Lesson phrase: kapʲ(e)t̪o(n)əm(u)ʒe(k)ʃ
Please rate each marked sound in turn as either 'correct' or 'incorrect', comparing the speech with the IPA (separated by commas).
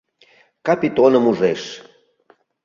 incorrect, correct, correct, incorrect